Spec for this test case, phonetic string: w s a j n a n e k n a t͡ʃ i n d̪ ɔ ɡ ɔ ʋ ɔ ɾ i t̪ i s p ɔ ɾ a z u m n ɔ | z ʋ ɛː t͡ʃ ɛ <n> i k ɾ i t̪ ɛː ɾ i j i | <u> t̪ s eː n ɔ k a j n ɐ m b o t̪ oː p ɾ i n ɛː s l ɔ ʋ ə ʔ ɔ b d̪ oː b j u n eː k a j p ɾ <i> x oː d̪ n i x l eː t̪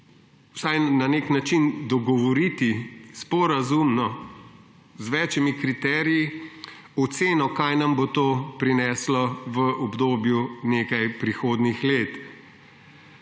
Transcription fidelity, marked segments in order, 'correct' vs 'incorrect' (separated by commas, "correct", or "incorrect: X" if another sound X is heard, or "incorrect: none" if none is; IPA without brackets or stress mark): incorrect: m, incorrect: ɔ, correct